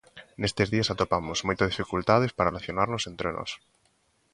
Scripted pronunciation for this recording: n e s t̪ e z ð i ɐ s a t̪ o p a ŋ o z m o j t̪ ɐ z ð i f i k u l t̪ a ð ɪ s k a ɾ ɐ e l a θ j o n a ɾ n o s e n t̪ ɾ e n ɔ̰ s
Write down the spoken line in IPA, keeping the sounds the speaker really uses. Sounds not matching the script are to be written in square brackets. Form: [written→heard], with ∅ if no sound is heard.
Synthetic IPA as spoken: n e s t̪ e z ð i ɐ s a t̪ o p a [ŋ→m] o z m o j t̪ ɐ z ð i f i k u l t̪ a ð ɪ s [k→p] a ɾ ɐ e l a θ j o n a ɾ n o s e n t̪ ɾ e n ɔ̰ s